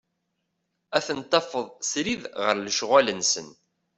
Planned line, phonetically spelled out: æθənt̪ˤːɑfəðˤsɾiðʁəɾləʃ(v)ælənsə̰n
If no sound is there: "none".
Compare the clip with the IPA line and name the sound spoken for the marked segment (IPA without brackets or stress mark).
ʁ